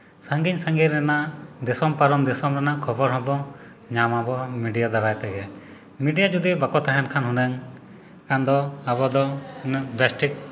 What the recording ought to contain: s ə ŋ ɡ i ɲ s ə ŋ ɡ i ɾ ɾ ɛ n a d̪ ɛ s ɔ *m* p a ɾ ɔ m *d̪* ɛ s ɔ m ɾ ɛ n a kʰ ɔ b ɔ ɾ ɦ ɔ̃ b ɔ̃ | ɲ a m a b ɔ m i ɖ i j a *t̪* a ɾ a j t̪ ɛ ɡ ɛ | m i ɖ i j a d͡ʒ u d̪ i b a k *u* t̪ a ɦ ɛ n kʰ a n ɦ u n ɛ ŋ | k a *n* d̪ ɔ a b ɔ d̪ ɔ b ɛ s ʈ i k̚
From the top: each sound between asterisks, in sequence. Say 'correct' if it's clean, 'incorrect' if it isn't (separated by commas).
correct, correct, incorrect, incorrect, correct